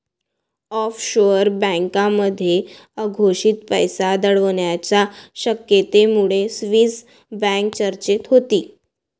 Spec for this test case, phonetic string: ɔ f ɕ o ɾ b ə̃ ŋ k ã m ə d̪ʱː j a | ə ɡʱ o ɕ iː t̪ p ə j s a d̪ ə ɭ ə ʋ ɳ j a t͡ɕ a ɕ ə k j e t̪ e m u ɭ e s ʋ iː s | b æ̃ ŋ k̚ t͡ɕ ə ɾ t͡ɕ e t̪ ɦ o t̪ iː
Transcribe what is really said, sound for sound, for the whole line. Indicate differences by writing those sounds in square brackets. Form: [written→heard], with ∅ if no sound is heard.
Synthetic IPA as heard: ɔ f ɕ o ɾ b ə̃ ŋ k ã m ə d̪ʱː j [a→e] | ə ɡʱ o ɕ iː t̪ p ə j s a d̪ ə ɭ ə ʋ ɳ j a t͡ɕ a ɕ ə k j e t̪ e m u ɭ e s ʋ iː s | b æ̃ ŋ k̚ t͡ɕ ə ɾ t͡ɕ e t̪ ɦ o t̪ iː

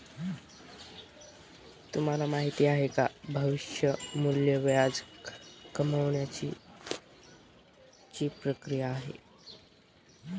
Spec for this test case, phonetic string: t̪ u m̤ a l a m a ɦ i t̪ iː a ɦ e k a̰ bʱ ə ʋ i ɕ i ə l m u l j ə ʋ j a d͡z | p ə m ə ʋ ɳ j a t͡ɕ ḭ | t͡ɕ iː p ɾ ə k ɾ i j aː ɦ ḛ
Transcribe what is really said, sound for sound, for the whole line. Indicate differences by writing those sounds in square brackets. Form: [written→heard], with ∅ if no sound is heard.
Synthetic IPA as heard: t̪ u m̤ a l a m a ɦ i t̪ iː a ɦ e k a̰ bʱ ə ʋ i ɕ [i→j] ə [l→∅] m u l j ə ʋ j a d͡z | [p→k] ə m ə ʋ ɳ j a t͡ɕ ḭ | t͡ɕ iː p ɾ ə k ɾ i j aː ɦ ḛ

